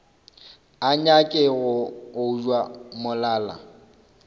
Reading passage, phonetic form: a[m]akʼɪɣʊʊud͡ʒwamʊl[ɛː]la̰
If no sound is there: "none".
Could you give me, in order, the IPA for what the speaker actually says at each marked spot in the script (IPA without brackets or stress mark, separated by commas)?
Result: ɲ, aː